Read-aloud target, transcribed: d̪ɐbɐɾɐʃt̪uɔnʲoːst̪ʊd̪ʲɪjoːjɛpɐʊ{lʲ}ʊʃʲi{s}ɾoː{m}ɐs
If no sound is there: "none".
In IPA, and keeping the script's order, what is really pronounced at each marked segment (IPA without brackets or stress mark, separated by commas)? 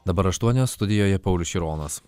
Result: lʲ, none, n